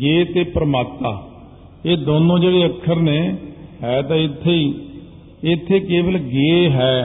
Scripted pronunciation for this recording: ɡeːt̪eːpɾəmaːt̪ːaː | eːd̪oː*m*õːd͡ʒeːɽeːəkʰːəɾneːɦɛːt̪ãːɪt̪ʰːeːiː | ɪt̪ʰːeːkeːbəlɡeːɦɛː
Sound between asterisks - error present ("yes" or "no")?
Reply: yes